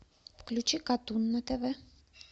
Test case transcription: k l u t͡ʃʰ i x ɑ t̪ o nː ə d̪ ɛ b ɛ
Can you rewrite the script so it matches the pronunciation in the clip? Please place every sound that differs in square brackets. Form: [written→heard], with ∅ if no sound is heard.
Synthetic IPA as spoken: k l u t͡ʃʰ i [x→k] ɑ t̪ [o→u] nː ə [d̪→t̪] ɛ [b→v] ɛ